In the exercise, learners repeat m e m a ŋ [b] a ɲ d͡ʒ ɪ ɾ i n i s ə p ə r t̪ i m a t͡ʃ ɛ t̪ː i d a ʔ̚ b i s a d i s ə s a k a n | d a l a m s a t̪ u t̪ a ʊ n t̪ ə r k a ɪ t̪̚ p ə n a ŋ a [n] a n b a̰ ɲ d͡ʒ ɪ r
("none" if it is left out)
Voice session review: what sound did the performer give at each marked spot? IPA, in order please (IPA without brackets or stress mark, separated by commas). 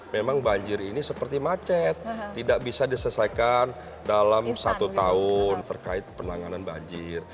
b, n